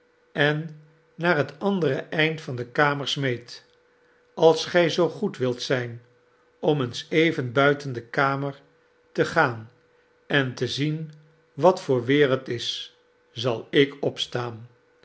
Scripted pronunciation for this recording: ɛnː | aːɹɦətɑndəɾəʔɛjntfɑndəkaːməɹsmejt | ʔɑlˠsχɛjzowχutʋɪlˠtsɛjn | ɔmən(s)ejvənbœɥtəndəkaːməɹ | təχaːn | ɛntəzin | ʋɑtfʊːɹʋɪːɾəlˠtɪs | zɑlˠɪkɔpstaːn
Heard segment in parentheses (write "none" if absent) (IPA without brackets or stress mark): s